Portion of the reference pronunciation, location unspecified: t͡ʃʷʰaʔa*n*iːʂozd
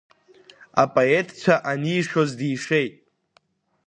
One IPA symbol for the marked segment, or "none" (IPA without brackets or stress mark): n